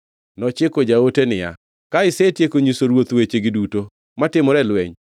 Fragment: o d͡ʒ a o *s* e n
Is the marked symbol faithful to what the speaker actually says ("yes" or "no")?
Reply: no